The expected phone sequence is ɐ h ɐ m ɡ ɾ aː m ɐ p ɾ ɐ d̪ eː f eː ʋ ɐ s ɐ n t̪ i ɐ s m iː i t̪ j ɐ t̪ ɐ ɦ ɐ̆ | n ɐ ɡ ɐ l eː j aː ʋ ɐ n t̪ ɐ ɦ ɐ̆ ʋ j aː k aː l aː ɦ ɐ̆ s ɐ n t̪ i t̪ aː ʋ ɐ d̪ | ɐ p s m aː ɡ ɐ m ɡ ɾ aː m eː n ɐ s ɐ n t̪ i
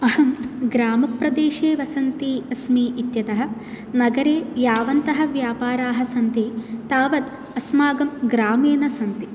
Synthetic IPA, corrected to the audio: ɐ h ɐ m ɡ ɾ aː m ɐ p ɾ ɐ d̪ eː ʃ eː ʋ ɐ s ɐ n t̪ i ɐ s m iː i t̪ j ɐ t̪ ɐ ɦ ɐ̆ | n ɐ ɡ ɐ ɾ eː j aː ʋ ɐ n t̪ ɐ ɦ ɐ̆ ʋ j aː p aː ɾ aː ɦ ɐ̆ s ɐ n t̪ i t̪ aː ʋ ɐ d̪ | ɐ s m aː ɡ ɐ m ɡ ɾ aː m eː n ɐ s ɐ n t̪ i